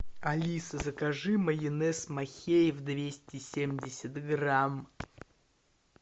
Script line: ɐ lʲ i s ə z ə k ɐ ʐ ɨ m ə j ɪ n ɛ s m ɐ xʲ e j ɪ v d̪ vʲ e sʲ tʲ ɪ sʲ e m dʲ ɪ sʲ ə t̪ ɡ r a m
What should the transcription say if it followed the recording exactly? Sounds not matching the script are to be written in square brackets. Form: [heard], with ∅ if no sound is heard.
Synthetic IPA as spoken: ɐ lʲ i s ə z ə k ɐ ʐ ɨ m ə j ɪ n ɛ s m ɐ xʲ e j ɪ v d̪ vʲ e sʲ tʲ ɪ sʲ e m dʲ ɪ sʲ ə t̪ ɡ r a m

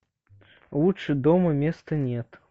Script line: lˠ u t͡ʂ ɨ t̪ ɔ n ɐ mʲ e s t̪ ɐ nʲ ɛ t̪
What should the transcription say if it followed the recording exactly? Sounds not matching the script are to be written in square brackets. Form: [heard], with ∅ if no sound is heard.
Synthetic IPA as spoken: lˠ u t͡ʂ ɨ [d̪] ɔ [m] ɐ mʲ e s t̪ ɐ nʲ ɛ t̪

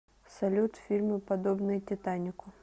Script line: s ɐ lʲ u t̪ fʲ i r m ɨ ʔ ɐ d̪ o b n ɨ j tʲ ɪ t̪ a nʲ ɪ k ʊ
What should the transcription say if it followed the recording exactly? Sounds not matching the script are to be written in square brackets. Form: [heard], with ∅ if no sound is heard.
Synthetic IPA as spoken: s ɐ lʲ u t̪ fʲ i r m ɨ [p] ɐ d̪ o b n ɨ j tʲ ɪ t̪ a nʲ ɪ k ʊ

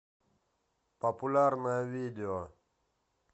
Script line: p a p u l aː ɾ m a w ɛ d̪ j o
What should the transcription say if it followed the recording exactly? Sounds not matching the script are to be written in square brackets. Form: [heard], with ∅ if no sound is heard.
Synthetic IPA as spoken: p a p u l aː ɾ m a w [i] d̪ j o

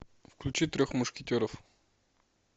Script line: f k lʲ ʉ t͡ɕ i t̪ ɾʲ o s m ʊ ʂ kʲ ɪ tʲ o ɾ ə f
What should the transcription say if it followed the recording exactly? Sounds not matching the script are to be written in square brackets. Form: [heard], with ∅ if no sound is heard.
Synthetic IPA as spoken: f k lʲ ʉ t͡ɕ i t̪ ɾʲ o [x] m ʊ ʂ kʲ ɪ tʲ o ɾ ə f

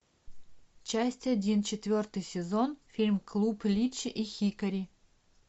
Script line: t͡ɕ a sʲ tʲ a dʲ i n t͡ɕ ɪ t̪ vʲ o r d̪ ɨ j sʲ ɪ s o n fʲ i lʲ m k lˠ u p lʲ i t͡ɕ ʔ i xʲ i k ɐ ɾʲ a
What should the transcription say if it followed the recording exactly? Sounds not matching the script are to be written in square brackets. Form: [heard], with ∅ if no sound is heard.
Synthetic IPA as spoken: t͡ɕ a sʲ tʲ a dʲ i n t͡ɕ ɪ t̪ vʲ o r [t̪] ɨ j sʲ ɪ [z] o n fʲ i lʲ m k lˠ u p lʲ i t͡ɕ ʔ i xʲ i k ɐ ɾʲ [i]

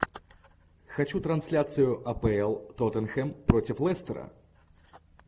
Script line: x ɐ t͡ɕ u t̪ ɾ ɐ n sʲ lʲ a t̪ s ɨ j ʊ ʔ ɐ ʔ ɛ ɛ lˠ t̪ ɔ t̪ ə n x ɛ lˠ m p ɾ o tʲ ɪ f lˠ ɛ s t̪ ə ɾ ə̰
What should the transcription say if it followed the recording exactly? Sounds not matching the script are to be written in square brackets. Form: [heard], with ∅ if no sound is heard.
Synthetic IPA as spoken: x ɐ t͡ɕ u t̪ ɾ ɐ n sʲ lʲ a t̪ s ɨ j ʊ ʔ ɐ [p] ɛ ɛ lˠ t̪ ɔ t̪ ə n x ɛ [∅] m p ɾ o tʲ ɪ f lˠ ɛ s t̪ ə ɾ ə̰

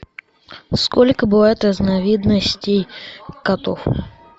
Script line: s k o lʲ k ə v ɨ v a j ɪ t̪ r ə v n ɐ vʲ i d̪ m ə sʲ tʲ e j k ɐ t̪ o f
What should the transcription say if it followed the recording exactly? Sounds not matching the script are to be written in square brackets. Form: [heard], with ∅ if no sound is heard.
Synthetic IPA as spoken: s k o lʲ k ə [b] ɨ v a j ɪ t̪ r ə [z] n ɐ vʲ i d̪ [n] ə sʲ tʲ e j k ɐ t̪ o f

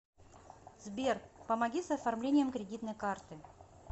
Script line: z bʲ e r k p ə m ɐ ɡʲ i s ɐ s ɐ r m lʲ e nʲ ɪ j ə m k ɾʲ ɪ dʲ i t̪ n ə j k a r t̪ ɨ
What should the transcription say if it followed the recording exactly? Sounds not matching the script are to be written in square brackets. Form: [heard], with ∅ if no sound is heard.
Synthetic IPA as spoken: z bʲ e r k p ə m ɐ ɡʲ i s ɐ [f] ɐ r m lʲ e nʲ ɪ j ə m k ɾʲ ɪ dʲ i t̪ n ə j k a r t̪ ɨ

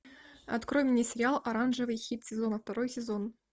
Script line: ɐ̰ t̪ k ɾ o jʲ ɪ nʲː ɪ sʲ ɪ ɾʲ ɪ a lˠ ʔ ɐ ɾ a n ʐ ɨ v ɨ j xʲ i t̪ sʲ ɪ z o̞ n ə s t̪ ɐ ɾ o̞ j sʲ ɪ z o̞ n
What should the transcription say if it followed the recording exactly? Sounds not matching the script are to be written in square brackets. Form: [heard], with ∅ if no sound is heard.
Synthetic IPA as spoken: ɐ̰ t̪ k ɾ o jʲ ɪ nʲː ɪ sʲ ɪ ɾʲ ɪ a lˠ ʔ ɐ ɾ a n ʐ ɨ v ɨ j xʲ i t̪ sʲ ɪ z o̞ n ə [f] t̪ ɐ ɾ o̞ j sʲ ɪ z o̞ n

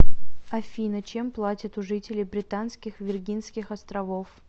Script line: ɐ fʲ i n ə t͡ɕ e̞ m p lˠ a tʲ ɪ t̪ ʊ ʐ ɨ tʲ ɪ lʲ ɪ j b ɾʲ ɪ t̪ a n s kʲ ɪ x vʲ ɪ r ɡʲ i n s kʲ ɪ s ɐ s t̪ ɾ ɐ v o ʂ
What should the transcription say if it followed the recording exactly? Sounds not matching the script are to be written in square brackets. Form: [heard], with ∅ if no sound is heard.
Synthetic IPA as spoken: ɐ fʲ i n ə t͡ɕ e̞ m p lˠ a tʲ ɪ t̪ ʊ ʐ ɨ tʲ ɪ lʲ ɪ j b ɾʲ ɪ t̪ a n s kʲ ɪ x vʲ ɪ r ɡʲ i n s kʲ ɪ [x] ɐ s t̪ ɾ ɐ v o [f]

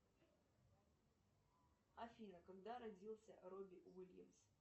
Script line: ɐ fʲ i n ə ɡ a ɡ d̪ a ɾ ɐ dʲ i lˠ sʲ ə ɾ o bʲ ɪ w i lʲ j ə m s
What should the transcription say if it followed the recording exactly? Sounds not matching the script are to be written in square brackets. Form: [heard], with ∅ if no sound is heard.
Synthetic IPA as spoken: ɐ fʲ i n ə [k] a ɡ d̪ a ɾ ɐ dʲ i lˠ sʲ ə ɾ o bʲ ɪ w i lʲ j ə m s

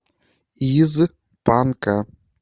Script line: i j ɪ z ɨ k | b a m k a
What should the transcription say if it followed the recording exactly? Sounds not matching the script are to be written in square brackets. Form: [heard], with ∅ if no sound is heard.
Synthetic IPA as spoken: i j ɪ z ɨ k | [p] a [n] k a

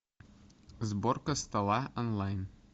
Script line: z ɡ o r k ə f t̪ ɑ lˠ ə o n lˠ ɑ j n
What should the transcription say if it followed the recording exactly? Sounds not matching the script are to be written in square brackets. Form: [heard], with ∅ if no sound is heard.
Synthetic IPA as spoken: z [b] o r k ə [s] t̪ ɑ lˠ [ɑ] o n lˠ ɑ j n

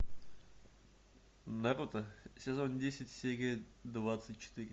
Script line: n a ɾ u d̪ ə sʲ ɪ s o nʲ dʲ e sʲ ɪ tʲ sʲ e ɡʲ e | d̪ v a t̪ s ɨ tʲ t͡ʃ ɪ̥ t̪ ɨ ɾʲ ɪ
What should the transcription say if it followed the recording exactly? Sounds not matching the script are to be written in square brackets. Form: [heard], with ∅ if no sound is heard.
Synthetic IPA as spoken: n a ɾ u [t̪] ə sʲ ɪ [z] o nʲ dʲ e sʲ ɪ tʲ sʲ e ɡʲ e | d̪ v a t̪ s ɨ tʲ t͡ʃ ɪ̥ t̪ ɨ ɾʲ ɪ

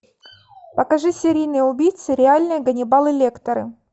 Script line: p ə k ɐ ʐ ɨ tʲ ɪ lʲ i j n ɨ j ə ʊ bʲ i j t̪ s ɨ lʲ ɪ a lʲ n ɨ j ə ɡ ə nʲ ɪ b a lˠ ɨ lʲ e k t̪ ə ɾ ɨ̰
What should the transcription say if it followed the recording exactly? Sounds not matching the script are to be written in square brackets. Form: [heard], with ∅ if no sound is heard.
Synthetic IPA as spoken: p ə k ɐ ʐ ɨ [sʲ] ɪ [ɾʲ] i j n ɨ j ə ʊ bʲ i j t̪ s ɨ [ɾʲ] ɪ a lʲ n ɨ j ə ɡ ə nʲ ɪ b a lˠ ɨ lʲ e k t̪ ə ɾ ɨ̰

